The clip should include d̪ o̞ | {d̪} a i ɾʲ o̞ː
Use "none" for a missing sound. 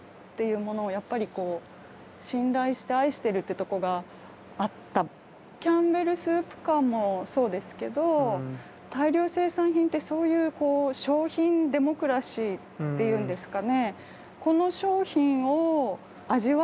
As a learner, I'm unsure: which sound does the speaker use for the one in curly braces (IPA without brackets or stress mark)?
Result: t̪